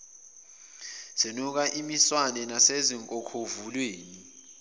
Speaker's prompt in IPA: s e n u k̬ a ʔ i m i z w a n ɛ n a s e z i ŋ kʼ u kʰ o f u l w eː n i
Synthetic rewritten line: s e n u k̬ a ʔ i m i s w a n ɛ n a s e z i ŋ kʼ ɔ kʰ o v u l w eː n i